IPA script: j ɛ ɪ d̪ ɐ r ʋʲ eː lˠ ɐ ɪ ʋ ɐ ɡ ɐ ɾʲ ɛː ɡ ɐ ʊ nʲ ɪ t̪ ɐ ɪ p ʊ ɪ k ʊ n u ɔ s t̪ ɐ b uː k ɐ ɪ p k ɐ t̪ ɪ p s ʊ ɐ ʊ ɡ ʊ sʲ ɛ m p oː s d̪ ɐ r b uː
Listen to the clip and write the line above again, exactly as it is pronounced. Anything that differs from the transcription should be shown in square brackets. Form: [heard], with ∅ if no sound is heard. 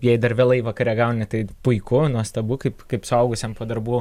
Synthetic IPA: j ɛ ɪ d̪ ɐ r ʋʲ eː lˠ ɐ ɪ ʋ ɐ [k] ɐ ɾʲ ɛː ɡ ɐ ʊ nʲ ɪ t̪ ɐ ɪ p ʊ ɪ k ʊ n u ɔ s t̪ ɐ b uː k ɐ ɪ p k ɐ [∅] ɪ p s ʊ ɐ ʊ ɡ ʊ sʲ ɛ m p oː [∅] d̪ ɐ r b uː